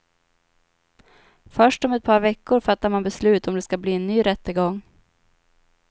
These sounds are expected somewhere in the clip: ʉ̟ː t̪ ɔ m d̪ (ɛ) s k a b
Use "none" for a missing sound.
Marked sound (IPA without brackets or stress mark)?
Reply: ɛ